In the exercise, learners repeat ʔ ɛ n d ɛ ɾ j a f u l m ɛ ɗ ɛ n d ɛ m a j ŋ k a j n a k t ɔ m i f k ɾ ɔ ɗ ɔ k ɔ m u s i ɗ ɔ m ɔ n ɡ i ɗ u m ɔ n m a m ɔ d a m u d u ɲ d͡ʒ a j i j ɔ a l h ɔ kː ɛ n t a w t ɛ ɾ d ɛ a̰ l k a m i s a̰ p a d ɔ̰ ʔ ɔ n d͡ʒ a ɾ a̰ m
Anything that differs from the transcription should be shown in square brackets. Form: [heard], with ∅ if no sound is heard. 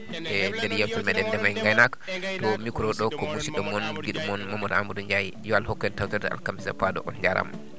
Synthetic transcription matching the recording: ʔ ɛ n d ɛ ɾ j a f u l m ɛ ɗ ɛ n d ɛ m a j ŋ [ɡ] a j n a k t ɔ m i [∅] k ɾ ɔ ɗ ɔ k ɔ m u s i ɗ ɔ m ɔ n ɡ i ɗ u m ɔ n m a m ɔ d a m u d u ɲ d͡ʒ a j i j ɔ a l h ɔ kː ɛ n t a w t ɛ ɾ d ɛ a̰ l k a m i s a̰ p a d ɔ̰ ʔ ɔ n d͡ʒ a ɾ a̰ m